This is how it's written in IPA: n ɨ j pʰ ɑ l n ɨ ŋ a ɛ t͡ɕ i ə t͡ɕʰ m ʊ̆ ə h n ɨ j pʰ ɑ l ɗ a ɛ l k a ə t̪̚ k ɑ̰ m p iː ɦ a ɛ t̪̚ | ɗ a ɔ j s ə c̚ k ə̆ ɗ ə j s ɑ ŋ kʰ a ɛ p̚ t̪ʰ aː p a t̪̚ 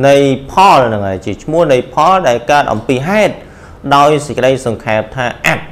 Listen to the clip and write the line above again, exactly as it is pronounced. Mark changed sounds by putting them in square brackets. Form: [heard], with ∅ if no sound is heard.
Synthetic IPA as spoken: n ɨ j pʰ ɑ l n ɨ ŋ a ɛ t͡ɕ i ə t͡ɕʰ m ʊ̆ ə h n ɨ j pʰ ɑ l ɗ a ɛ l k a ə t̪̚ [ʔ] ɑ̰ m p iː ɦ a ɛ t̪̚ | ɗ a ɔ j s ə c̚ k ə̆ ɗ ə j s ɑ ŋ kʰ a ɛ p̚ t̪ʰ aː [ʔ] a t̪̚